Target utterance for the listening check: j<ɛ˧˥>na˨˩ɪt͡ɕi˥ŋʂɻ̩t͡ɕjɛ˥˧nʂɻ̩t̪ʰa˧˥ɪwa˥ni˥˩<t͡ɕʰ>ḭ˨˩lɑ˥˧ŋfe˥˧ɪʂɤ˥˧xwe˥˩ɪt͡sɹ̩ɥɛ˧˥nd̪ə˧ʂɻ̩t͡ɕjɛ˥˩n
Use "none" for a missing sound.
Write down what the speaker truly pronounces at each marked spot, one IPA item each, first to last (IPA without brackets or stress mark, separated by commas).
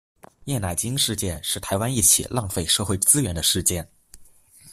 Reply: ɛ˥˩, t͡ɕʰ